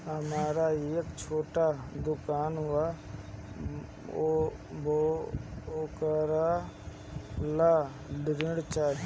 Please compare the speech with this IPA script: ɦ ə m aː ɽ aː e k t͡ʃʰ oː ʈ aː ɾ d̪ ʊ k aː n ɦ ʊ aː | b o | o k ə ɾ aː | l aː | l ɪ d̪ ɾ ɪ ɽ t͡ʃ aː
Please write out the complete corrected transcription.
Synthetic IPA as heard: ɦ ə m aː ɾ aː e k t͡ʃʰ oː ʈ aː d̪ ʊ k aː n ɦ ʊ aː | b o | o k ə ɾ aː | l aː | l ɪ ɾ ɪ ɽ t͡ʃ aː